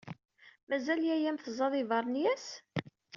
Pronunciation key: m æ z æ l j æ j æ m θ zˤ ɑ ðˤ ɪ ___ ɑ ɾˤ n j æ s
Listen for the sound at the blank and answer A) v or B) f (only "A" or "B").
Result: A